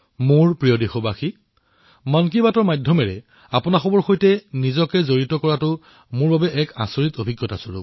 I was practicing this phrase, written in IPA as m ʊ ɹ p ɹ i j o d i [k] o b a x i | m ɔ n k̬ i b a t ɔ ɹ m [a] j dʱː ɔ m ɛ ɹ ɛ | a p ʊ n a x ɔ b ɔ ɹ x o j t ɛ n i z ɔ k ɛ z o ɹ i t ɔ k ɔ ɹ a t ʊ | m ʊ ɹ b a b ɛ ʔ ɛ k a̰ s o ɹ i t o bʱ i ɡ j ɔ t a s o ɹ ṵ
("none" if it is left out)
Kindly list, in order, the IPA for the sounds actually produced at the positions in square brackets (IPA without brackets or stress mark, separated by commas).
x, a